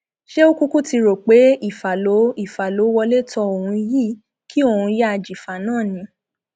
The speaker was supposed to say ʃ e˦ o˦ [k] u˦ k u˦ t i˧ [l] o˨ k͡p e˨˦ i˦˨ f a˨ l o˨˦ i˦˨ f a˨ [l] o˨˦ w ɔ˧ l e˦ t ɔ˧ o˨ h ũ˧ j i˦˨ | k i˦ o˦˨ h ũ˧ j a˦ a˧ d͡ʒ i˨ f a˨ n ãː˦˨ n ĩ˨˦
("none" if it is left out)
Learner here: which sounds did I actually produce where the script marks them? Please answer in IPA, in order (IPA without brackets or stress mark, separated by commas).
k, ɾ, l